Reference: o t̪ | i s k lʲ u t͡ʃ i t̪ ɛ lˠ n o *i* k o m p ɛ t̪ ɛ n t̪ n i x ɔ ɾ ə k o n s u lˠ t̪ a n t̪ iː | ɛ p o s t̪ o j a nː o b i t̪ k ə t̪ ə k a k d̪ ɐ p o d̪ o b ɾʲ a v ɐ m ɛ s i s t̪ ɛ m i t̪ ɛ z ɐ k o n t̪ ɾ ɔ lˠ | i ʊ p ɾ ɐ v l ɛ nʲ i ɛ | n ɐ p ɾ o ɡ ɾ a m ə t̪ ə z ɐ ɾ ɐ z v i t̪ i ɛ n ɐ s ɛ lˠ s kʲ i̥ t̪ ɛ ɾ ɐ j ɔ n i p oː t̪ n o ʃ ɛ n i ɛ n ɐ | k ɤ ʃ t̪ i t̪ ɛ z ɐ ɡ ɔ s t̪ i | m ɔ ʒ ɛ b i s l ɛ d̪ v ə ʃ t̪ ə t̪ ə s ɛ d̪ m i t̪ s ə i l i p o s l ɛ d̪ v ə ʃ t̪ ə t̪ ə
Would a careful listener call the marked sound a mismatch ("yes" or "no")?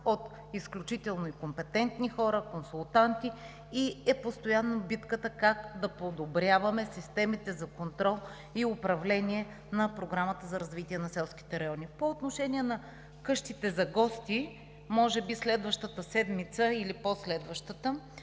no